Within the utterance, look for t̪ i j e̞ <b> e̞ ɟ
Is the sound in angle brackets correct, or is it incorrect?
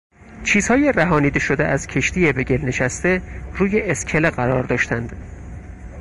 correct